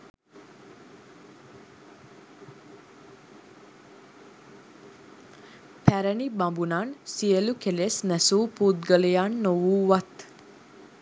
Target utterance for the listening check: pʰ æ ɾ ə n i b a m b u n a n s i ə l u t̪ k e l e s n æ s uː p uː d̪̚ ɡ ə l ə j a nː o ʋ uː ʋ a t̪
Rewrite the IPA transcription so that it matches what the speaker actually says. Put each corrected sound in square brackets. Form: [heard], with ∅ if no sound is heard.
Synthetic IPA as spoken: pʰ æ ɾ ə n i b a m b u n a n s i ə l u [∅] k e l e s n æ s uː p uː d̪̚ ɡ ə l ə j a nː o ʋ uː ʋ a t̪